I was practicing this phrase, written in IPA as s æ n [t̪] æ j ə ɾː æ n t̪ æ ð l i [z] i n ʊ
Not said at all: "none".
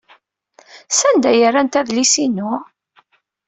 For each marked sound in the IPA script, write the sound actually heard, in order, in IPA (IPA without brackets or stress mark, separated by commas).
d̪, s